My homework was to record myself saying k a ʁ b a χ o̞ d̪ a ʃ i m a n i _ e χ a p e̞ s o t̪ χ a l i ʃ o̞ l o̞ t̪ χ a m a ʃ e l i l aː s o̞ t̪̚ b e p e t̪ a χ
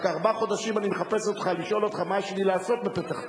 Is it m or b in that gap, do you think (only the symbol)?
m